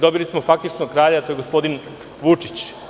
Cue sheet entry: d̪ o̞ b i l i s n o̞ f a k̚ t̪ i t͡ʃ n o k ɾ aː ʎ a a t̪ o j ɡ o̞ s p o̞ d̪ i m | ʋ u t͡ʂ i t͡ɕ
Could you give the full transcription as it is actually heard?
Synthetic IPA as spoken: d̪ o̞ b i l i s m o̞ f a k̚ t̪ i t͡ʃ n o k ɾ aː ʎ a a t̪ o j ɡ o̞ s p o̞ d̪ i n | ʋ u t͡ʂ i t͡ɕ